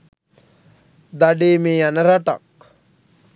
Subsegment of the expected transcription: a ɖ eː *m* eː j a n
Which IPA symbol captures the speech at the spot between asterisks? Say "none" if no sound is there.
m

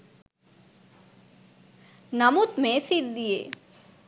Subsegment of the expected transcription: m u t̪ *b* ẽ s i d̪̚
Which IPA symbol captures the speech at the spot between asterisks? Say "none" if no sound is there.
m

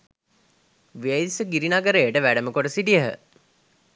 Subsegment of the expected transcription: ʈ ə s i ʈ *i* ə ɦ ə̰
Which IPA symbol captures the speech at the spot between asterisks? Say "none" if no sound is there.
i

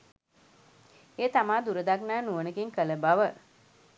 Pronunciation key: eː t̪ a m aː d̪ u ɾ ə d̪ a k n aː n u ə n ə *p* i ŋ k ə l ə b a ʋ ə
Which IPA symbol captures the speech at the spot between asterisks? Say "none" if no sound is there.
k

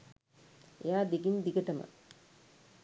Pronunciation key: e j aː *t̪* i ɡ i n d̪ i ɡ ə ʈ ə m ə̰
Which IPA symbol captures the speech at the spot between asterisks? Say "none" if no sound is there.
d̪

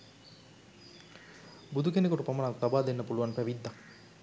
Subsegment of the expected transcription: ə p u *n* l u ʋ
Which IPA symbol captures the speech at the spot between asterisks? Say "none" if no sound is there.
none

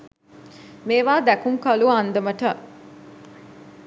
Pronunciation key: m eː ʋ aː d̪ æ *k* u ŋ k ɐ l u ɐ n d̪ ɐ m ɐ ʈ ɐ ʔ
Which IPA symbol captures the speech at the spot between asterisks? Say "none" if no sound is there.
k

